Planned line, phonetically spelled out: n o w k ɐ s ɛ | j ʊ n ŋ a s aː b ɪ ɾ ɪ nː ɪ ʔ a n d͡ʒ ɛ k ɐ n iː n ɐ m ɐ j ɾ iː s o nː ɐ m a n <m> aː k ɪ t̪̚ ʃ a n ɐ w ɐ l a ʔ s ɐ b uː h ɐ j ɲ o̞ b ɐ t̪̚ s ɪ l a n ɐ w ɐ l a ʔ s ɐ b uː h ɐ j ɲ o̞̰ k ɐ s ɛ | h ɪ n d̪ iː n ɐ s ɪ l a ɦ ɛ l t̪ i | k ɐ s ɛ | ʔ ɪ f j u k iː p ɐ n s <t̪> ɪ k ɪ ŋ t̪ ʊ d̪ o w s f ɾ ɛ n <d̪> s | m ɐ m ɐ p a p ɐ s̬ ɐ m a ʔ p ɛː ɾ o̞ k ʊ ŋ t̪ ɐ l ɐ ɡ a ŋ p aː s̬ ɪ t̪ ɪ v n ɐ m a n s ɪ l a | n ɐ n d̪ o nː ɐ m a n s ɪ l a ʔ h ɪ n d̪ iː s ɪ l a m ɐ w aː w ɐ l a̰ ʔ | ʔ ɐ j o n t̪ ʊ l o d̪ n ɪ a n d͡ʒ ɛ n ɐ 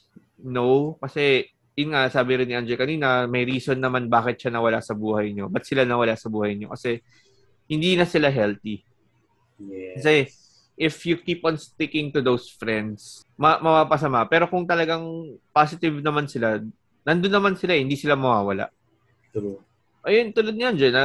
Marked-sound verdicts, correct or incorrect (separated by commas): incorrect, correct, correct